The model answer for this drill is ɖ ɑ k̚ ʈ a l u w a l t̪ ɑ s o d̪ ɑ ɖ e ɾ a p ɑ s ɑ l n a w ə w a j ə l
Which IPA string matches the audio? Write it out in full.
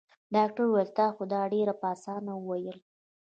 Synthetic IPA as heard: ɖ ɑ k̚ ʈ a ɾ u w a l t̪ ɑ x o d̪ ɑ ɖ e ɾ a p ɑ s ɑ n a w ə w a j ə l